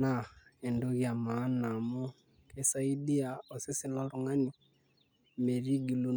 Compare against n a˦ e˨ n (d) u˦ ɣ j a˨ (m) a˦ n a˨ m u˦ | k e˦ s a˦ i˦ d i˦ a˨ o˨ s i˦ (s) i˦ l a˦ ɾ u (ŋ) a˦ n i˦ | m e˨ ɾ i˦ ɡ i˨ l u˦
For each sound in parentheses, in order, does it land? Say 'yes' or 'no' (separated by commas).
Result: yes, yes, yes, yes